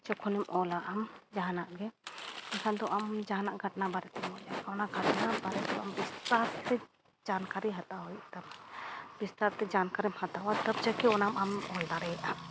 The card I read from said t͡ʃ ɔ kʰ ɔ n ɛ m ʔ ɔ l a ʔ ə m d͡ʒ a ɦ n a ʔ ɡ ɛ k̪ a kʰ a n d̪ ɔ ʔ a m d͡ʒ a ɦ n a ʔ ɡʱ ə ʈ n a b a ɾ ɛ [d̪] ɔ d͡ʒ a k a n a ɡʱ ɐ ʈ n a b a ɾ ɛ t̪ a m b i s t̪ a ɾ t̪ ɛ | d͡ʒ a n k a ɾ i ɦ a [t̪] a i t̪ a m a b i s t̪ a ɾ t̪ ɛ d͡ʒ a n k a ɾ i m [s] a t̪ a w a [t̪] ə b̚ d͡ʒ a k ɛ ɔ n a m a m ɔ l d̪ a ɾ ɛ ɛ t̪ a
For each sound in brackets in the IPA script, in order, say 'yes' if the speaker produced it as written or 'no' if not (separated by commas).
no, yes, no, yes